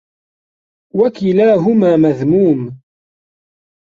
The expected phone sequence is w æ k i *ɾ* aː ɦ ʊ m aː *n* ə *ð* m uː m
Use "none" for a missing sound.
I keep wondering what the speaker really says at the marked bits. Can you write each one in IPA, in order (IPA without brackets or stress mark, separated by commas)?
l, m, ð